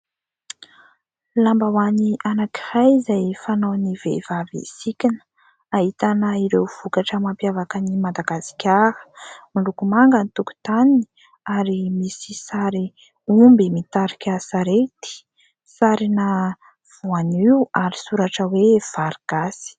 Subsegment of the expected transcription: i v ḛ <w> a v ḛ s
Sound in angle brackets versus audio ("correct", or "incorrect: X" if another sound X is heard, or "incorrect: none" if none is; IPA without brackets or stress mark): incorrect: v